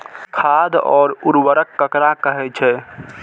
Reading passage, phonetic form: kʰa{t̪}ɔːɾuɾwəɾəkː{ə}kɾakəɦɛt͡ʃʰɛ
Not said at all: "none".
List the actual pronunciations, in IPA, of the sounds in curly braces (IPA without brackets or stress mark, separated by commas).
d̪, ə